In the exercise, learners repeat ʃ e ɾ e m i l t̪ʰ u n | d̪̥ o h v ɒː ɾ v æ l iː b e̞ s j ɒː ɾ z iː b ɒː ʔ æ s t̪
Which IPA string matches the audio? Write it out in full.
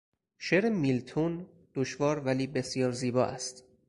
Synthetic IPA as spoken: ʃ e ɾ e m i l t̪ʰ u n | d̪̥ o ʃ v ɒː ɾ v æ l iː b e̞ s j ɒː ɾ z iː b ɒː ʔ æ s t̪